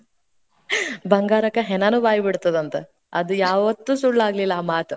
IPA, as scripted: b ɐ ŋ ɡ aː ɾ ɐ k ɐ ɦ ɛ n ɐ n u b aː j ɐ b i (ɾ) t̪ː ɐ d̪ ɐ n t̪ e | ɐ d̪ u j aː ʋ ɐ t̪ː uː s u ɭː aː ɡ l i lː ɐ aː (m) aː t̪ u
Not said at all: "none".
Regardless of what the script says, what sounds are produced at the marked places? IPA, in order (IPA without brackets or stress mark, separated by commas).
ɽ, m